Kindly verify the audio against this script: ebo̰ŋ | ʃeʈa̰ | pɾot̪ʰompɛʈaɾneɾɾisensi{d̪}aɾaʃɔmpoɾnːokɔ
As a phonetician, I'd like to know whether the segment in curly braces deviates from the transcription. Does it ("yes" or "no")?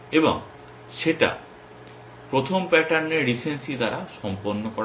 no